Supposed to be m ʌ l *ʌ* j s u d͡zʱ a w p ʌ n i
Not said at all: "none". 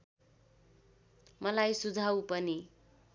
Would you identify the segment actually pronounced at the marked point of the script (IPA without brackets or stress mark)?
a